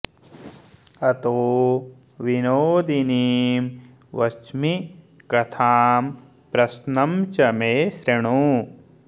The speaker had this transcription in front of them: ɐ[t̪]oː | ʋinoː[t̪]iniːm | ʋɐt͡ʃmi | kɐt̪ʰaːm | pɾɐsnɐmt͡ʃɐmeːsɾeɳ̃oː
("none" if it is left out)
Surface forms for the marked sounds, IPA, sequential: t̪, d̪

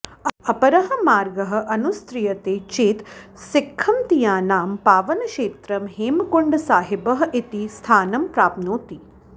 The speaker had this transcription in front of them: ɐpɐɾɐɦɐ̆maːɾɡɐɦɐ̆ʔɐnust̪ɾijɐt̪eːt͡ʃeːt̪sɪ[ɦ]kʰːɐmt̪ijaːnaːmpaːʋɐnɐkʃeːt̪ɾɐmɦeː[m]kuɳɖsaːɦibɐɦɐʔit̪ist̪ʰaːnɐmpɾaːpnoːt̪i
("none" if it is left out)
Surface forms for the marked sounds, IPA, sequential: none, m

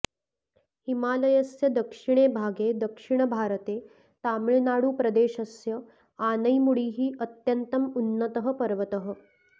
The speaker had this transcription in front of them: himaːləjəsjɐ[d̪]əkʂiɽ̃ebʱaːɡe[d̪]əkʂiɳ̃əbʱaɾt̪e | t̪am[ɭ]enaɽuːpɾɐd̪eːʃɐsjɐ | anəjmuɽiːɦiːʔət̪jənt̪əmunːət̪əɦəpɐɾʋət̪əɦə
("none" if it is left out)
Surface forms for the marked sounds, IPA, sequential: d̪, d̪, ɭ

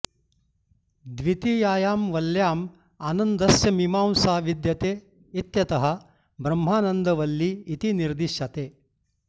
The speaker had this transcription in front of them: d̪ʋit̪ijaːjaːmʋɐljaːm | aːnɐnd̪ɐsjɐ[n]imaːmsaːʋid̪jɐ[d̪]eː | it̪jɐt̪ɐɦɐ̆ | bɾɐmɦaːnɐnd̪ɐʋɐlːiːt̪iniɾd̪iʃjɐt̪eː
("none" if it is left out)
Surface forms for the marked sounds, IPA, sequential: m, t̪

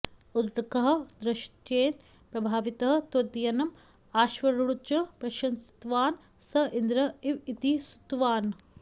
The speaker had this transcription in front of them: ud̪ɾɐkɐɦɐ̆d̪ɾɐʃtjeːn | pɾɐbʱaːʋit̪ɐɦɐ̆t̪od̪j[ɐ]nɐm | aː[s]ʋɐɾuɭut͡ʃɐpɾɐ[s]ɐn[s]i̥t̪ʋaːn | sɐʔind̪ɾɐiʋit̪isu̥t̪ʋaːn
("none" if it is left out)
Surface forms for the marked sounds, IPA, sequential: ɐ, ʃ, ʃ, s

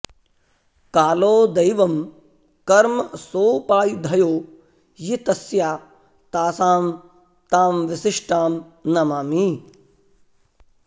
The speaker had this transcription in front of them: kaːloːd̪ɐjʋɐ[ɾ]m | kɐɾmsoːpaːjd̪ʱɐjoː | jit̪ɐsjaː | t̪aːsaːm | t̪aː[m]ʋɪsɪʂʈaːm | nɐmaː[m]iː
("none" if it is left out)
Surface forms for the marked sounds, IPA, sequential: none, m, m

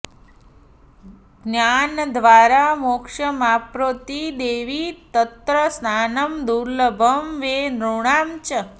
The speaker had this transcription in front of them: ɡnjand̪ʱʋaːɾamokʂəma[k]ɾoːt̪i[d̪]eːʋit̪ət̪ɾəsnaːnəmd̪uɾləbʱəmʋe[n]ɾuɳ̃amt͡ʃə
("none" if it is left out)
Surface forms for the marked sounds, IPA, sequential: p, d̪, n

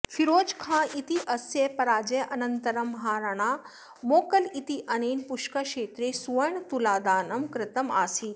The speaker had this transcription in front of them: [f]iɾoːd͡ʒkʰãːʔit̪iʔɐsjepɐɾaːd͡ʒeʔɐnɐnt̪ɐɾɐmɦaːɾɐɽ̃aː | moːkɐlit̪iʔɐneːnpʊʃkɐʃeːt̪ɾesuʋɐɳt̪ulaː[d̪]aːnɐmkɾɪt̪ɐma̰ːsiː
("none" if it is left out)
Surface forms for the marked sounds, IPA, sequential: f, d̪

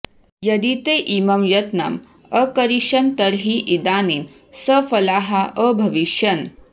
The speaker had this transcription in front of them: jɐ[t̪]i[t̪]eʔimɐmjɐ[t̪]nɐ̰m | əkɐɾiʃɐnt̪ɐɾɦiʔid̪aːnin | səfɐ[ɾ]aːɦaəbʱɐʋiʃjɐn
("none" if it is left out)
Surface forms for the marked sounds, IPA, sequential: d̪, t̪, t̪, l

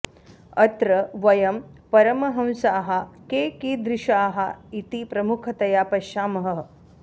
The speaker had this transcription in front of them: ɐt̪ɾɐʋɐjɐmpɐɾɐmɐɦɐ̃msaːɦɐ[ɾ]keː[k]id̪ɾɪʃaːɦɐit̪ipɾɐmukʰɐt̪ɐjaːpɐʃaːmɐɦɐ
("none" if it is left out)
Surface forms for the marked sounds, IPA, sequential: none, k

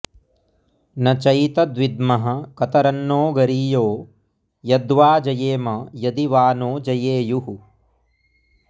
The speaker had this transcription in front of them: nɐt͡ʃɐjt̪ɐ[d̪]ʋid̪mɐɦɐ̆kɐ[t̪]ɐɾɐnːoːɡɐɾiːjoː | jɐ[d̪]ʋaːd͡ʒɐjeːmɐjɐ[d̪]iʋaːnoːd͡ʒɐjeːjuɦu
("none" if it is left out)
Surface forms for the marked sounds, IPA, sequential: d̪, t̪, d̪, d̪

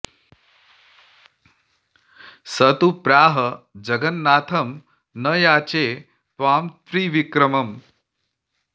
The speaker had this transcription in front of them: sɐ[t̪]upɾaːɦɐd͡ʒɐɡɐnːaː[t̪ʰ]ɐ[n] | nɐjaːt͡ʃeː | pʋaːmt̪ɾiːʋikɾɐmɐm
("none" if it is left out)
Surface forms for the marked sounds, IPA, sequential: t̪, t̪ʰ, m

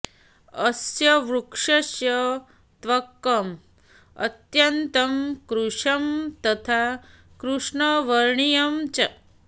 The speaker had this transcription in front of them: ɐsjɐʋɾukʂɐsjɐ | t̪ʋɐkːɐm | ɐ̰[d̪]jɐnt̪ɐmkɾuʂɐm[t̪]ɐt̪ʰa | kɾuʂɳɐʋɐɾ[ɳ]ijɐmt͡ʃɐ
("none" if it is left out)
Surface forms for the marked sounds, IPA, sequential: t̪, t̪, ɳ

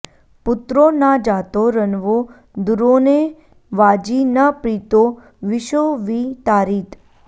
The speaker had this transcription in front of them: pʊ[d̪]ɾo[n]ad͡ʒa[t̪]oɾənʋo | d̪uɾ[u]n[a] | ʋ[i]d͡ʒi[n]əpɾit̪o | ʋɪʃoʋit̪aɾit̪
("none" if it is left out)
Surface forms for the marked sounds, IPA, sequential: t̪, n, t̪, o, e, a, n

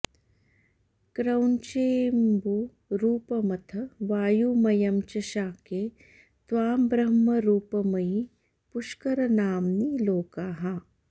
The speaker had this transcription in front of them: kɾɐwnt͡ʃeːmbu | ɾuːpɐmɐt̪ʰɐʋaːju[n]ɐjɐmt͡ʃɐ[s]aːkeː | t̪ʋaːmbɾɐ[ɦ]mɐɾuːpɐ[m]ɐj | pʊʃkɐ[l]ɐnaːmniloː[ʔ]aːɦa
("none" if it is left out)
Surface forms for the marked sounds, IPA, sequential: m, ʃ, ɦ, m, ɾ, k

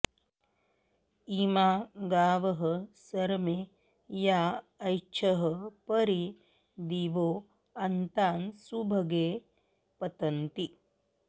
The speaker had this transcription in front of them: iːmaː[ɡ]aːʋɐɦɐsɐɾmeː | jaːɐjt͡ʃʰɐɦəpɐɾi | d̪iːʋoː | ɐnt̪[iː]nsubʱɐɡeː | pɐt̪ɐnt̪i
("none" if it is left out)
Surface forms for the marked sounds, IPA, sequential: ɡ, aː

